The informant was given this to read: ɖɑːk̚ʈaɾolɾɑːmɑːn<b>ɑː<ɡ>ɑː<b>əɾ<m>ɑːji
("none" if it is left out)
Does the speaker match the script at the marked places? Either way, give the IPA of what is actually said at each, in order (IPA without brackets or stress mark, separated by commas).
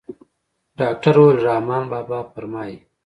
b, b, p, m